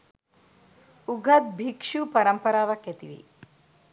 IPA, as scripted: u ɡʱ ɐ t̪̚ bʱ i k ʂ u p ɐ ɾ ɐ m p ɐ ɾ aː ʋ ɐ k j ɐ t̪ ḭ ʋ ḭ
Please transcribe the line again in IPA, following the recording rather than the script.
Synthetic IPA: u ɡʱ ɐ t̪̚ bʱ i k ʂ u p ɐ ɾ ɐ m p ɐ ɾ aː ʋ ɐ k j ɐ t̪ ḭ ʋ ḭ